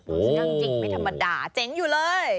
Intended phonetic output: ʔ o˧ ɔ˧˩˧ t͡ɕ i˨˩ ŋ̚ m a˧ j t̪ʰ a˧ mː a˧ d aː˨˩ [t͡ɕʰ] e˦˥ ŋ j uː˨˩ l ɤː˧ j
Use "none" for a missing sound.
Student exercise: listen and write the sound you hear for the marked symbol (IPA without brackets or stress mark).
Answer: t͡ɕ